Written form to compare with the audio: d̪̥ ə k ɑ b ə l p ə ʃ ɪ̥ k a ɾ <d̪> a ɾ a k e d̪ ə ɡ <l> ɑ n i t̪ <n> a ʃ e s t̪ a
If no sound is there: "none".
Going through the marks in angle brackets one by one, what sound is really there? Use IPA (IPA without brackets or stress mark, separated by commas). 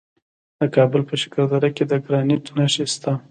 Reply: d̪, ɾ, n